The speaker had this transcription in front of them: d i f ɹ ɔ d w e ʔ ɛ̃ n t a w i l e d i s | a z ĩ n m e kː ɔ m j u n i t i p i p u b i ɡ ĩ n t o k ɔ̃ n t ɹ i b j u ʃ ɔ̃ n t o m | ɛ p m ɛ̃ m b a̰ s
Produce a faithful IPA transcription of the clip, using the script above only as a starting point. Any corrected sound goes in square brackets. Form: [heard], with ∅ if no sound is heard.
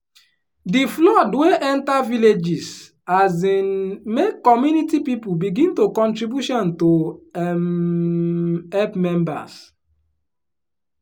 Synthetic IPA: d i f [l] ɔ d w e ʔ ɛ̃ n t a [v] i l e [d͡ʒ] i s | a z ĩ n m e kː ɔ m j u n i t i p i p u b i ɡ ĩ n t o k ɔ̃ n t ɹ i b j u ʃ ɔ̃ n t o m | ɛ p m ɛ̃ m b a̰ s